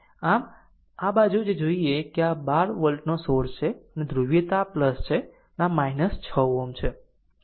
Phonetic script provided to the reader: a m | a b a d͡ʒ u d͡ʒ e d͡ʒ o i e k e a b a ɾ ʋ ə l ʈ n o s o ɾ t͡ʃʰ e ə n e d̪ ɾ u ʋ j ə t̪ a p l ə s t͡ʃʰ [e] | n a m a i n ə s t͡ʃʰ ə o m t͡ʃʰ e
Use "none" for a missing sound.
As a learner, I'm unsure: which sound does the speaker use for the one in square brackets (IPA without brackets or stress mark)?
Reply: e